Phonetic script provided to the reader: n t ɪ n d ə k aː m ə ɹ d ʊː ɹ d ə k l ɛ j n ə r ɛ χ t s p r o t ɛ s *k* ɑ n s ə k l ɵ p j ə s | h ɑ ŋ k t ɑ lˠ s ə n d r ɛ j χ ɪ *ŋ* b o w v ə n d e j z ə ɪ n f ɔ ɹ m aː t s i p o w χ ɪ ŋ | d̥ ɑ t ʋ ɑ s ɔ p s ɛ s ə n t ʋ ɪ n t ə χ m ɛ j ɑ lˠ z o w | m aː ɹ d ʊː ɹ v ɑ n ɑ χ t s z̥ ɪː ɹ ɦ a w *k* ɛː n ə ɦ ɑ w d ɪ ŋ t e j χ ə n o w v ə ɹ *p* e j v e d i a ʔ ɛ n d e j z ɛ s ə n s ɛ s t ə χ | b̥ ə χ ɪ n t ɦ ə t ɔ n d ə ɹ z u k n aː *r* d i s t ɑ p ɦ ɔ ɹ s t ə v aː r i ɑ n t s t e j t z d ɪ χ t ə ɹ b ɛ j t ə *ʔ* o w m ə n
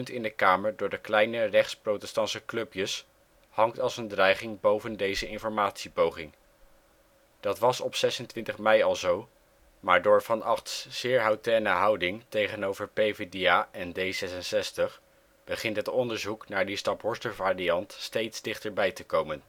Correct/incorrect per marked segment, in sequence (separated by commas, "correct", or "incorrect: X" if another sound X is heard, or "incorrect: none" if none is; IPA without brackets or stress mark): incorrect: t, correct, incorrect: t, correct, incorrect: ɹ, incorrect: k